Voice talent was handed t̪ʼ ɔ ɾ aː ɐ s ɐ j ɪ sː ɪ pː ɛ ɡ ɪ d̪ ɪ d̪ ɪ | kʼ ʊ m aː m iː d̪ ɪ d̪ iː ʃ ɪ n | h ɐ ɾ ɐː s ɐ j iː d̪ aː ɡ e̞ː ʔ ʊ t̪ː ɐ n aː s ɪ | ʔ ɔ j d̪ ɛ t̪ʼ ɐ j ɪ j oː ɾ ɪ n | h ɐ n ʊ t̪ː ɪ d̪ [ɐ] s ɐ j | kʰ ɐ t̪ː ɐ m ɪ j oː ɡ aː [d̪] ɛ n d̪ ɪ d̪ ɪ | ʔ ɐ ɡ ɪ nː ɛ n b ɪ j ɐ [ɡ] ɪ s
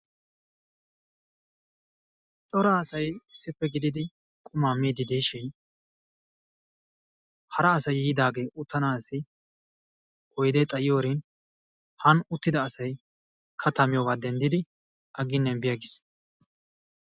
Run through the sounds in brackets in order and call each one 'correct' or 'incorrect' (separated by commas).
incorrect, correct, correct